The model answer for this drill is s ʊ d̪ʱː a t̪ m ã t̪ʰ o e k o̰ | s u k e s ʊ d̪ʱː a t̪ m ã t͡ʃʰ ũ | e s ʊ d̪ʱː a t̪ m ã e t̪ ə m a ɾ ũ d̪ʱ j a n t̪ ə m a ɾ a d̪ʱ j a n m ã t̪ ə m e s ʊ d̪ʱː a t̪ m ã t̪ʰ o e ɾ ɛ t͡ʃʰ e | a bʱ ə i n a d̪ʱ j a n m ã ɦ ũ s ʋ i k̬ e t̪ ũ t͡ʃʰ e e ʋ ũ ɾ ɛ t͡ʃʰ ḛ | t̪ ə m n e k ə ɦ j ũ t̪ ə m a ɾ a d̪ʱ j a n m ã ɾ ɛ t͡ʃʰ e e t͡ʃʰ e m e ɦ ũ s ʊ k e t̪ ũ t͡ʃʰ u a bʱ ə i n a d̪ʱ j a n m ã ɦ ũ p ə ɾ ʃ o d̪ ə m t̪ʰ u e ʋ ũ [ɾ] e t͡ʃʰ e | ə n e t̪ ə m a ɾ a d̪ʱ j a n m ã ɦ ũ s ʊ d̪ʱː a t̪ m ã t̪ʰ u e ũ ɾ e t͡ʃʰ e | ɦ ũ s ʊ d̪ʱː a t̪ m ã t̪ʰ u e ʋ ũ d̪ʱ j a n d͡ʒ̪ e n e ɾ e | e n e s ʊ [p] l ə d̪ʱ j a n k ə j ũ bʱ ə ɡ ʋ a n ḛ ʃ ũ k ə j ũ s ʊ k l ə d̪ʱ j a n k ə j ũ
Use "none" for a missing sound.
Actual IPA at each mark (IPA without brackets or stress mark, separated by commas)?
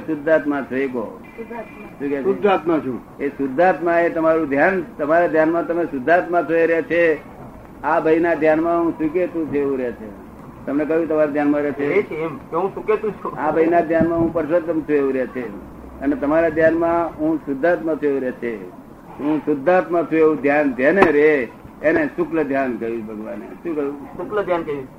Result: ɾ, k